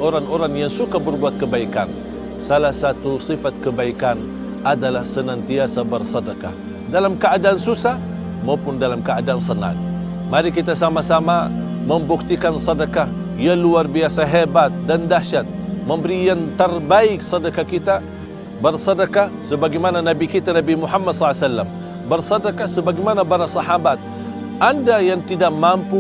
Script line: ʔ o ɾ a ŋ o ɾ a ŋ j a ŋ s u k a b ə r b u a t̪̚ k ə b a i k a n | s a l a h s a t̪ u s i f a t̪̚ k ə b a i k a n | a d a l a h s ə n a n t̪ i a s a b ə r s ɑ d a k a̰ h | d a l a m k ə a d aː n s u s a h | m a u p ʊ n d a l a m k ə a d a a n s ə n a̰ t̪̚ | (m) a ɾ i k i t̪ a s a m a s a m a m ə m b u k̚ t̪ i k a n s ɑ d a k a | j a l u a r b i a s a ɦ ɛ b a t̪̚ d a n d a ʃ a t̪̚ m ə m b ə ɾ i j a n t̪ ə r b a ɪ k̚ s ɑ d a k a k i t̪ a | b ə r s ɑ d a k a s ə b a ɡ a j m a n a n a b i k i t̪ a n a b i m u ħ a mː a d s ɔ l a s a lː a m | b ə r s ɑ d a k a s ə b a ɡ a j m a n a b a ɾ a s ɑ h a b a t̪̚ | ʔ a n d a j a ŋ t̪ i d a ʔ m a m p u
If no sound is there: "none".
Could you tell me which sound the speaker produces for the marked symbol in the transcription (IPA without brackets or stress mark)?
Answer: m